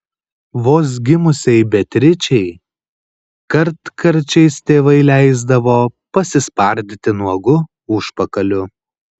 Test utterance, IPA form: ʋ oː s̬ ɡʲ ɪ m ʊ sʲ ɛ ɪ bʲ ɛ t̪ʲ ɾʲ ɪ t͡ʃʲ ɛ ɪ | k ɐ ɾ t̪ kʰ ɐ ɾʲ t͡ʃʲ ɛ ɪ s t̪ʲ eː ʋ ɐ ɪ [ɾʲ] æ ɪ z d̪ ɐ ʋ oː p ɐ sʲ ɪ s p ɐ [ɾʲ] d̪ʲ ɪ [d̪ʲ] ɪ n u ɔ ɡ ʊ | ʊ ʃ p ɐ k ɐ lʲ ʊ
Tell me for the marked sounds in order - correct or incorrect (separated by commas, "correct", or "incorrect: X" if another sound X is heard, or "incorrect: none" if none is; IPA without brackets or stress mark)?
incorrect: lʲ, correct, incorrect: t̪ʲ